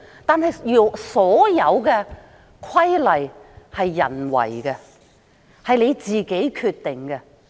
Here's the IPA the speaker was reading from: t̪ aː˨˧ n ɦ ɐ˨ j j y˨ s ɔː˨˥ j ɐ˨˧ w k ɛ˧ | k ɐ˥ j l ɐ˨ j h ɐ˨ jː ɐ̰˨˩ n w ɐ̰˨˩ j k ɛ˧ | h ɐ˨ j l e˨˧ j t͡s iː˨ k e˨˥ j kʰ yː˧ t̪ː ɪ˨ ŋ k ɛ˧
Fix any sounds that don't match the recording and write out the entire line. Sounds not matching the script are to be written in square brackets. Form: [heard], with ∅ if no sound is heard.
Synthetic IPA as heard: t̪ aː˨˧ n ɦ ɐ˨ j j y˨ s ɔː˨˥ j ɐ˨˧ w k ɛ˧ | [kʰ] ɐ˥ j l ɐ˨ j h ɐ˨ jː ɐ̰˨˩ n w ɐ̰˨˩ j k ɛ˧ | h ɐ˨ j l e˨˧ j t͡s iː˨ k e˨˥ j kʰ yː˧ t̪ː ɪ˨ ŋ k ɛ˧